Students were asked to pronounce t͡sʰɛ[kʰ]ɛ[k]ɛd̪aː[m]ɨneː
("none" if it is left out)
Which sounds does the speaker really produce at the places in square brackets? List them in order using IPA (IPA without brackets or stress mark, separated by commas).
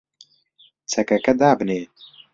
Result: k, k, b